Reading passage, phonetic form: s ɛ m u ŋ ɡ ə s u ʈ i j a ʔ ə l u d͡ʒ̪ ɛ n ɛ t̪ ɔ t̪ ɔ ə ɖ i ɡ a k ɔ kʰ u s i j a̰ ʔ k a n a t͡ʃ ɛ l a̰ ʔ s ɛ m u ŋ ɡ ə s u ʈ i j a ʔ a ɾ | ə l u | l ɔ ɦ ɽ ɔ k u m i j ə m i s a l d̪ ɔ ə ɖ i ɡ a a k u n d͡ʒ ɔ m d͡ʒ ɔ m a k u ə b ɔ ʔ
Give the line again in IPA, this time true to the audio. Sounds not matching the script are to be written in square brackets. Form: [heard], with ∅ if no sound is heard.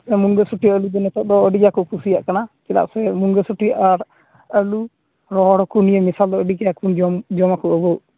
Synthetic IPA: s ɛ m u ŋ ɡ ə s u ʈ i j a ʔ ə l u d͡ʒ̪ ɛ n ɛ t̪ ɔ [d̪] ɔ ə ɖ i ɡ a k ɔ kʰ u s i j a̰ ʔ k a n a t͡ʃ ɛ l a̰ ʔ s ɛ m u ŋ ɡ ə s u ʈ i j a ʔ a ɾ | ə l u | [ɾ] ɔ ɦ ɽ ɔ k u [n] i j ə m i s a l d̪ ɔ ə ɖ i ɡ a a k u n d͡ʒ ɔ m d͡ʒ ɔ m a k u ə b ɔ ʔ